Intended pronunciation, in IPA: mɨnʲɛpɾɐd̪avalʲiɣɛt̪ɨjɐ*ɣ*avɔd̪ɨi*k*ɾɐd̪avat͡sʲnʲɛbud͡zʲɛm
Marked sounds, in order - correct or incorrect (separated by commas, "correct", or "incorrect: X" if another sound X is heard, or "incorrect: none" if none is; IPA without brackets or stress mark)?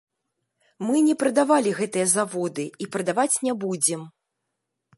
incorrect: z, incorrect: p